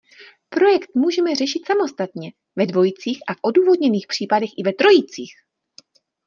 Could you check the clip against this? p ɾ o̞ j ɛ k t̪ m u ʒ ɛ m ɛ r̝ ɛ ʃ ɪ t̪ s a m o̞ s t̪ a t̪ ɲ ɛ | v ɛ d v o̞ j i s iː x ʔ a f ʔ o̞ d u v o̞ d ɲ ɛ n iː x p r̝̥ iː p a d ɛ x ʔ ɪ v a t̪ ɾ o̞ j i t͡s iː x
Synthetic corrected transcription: p ɾ o̞ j ɛ k t̪ m uː ʒ ɛ m ɛ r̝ ɛ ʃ ɪ t̪ s a m o̞ s t̪ a t̪ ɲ ɛ | v ɛ d v o̞ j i t͡s iː x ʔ a f ʔ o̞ d uː v o̞ d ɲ ɛ n iː x p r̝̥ iː p a d ɛ x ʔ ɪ v ɛ t̪ ɾ o̞ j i t͡s iː x